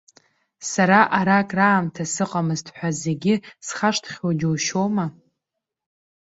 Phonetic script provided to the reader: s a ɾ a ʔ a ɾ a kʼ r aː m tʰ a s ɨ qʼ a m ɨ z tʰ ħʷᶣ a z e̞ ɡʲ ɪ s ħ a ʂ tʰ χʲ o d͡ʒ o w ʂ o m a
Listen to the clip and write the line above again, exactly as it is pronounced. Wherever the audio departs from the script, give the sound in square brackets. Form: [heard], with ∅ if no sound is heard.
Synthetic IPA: s a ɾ a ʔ a ɾ a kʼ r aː m tʰ a s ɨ qʼ a m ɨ z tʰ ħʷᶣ a z e̞ ɡʲ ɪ s [χ] a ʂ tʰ χʲ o d͡ʒ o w [ʃ] o m a